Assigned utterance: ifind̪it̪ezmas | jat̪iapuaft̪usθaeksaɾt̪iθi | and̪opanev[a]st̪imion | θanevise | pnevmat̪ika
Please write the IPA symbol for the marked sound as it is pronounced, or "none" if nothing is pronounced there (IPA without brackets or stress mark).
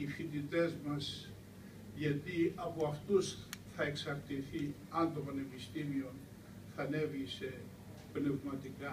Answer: i